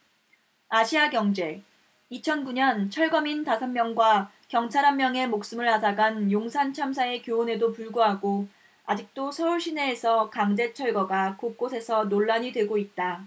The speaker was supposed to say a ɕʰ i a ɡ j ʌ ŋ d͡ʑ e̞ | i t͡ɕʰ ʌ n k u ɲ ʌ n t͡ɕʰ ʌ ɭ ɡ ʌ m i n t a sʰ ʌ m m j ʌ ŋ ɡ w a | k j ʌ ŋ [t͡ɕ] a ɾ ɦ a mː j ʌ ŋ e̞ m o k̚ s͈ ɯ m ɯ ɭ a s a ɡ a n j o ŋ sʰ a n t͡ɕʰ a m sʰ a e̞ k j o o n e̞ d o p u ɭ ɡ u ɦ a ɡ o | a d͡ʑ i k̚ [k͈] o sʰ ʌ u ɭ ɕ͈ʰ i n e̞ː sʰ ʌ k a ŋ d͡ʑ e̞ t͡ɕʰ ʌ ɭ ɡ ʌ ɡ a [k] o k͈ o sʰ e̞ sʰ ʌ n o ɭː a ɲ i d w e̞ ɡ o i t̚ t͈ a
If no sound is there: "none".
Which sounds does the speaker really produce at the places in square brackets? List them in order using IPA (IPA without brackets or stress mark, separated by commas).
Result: t͡ɕʰ, t͈, k